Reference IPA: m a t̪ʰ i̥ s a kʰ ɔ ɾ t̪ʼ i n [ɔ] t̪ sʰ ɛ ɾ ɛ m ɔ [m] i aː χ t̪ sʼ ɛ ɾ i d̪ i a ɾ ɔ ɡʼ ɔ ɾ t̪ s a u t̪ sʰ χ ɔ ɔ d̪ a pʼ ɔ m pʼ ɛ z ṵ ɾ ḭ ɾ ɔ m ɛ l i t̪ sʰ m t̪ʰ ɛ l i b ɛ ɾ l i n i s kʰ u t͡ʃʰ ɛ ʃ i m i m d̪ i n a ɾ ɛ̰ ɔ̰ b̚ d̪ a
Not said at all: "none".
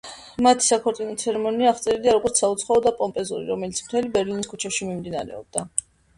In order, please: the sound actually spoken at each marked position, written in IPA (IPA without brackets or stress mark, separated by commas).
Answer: ɔ, n